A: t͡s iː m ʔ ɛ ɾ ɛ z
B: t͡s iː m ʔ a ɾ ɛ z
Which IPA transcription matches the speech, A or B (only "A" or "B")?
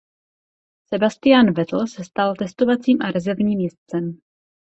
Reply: B